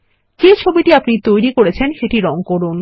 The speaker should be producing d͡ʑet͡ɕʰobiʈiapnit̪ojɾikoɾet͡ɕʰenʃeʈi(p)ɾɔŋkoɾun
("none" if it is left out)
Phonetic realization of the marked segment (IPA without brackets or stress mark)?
none